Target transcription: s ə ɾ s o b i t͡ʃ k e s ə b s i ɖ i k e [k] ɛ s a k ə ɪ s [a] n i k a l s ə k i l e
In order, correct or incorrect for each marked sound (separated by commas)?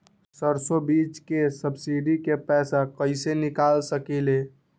incorrect, incorrect